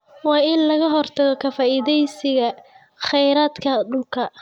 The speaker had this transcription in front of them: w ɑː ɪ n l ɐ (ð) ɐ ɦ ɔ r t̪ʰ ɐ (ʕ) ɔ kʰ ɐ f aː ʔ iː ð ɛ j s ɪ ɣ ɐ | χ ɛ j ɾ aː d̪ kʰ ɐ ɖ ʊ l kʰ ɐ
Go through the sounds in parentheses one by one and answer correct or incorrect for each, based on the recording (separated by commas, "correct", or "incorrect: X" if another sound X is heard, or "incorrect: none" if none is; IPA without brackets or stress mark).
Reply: incorrect: ɣ, incorrect: ɣ